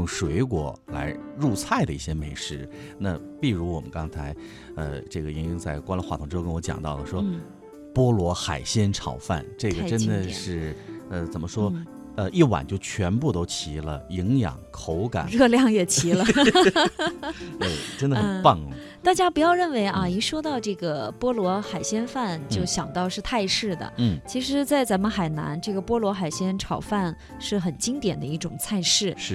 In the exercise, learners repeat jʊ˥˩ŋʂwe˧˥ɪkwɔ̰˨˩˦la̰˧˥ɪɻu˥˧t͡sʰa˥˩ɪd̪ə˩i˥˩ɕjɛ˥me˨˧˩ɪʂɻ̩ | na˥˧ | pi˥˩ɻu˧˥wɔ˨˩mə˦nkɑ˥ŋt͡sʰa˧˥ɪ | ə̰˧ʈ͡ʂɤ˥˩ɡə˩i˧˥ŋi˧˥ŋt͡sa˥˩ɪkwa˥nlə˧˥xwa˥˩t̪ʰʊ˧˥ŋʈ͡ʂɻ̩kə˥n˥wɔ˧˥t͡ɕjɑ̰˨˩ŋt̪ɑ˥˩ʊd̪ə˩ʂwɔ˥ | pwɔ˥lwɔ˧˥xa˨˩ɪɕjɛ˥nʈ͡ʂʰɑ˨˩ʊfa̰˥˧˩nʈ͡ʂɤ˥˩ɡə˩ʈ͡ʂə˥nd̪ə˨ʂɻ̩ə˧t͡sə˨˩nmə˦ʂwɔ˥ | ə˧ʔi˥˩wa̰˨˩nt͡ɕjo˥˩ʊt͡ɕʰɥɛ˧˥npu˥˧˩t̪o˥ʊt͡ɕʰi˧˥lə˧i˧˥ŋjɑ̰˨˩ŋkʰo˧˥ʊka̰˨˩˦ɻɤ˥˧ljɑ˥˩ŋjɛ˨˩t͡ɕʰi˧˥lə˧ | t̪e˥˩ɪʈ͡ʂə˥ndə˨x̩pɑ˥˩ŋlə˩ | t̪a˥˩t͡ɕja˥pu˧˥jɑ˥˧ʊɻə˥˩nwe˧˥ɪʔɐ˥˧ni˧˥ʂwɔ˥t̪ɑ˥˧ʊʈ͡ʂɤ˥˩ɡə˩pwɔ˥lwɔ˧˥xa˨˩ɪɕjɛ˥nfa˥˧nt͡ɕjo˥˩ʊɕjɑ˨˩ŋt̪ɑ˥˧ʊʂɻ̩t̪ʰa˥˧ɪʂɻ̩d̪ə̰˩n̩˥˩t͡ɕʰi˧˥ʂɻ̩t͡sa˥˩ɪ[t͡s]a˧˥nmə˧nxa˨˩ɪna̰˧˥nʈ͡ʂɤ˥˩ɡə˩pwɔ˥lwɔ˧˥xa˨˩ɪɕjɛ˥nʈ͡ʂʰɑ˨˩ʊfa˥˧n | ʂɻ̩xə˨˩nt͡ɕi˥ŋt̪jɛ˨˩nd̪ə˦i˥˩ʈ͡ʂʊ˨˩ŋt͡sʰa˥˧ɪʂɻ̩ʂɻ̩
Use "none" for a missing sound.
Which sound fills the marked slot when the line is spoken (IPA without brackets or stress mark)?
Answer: t͡s